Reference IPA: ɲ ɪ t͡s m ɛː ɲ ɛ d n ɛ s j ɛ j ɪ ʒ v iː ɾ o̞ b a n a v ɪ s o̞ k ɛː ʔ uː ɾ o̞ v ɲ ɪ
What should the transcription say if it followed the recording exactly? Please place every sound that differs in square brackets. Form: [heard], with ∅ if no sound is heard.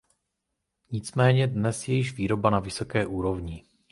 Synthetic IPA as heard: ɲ ɪ t͡s m ɛː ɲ ɛ d n ɛ s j ɛ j ɪ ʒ v iː ɾ o̞ b a n a v ɪ s o̞ k ɛː ʔ uː ɾ o̞ v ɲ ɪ